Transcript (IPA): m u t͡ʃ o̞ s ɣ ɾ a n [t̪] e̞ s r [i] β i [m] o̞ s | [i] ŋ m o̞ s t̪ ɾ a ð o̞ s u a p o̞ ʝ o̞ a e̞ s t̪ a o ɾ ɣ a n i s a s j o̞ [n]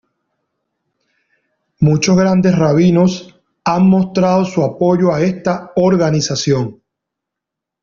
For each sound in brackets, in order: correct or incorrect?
incorrect, incorrect, incorrect, incorrect, incorrect

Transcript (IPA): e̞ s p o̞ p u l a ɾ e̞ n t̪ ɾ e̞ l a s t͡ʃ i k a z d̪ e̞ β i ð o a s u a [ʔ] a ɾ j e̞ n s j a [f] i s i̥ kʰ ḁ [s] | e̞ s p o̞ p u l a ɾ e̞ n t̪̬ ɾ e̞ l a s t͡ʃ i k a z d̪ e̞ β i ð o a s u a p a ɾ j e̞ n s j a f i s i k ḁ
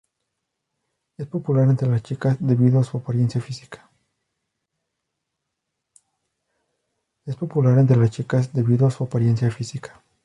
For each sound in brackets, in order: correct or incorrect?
incorrect, correct, incorrect

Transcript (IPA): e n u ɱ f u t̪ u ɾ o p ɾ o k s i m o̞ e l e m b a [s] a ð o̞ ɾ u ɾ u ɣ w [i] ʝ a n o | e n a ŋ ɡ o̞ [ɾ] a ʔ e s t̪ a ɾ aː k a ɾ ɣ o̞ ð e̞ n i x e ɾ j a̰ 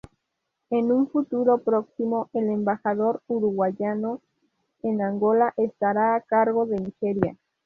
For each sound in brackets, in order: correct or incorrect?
incorrect, incorrect, incorrect

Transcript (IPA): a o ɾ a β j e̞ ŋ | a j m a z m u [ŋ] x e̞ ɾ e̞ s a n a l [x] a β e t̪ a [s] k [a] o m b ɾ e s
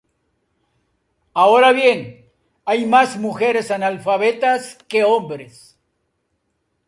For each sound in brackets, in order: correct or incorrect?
incorrect, incorrect, correct, incorrect

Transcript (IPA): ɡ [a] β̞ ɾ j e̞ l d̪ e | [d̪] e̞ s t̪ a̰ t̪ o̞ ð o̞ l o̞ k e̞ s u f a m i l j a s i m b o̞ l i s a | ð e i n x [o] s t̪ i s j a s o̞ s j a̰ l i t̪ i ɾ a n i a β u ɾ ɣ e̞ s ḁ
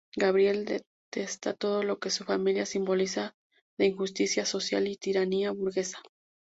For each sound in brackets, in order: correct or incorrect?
correct, incorrect, incorrect

